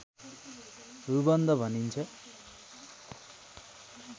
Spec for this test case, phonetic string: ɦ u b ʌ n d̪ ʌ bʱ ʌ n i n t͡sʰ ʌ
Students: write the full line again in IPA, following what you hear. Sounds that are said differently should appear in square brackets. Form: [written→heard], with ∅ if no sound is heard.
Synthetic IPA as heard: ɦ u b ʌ n d̪ ʌ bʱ ʌ n i n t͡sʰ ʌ